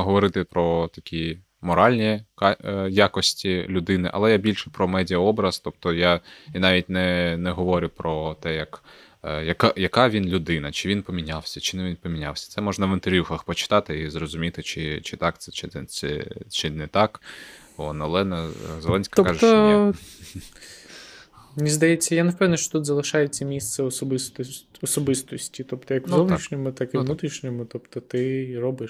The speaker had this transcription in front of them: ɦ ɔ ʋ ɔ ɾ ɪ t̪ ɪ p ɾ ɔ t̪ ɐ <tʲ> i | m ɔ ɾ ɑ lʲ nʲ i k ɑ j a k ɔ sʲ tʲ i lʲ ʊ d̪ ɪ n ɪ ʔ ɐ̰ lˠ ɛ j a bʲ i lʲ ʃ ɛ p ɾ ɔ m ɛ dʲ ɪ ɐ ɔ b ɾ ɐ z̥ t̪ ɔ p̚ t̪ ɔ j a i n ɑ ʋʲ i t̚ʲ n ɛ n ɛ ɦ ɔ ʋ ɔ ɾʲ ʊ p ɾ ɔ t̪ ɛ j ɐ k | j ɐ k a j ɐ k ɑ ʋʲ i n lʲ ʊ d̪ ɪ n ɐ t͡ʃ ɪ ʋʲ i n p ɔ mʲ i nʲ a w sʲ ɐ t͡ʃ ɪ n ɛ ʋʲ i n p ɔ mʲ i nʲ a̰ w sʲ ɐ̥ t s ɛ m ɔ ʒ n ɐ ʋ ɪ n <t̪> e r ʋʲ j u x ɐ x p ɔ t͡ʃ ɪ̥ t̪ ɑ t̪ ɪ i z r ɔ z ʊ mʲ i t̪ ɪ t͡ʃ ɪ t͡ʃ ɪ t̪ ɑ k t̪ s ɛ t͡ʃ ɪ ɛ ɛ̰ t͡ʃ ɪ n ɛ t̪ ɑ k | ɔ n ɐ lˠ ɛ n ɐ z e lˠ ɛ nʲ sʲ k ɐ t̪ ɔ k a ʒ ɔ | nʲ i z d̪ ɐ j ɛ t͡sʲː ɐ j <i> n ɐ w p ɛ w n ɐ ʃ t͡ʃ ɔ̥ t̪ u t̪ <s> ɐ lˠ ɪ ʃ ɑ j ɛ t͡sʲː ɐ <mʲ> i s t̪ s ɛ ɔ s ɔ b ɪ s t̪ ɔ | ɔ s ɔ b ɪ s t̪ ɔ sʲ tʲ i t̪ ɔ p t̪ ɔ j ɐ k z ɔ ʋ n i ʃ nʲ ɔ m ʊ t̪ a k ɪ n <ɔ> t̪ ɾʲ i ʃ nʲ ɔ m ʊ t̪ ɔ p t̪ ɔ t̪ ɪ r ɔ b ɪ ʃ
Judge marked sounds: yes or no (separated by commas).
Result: no, yes, no, no, yes, no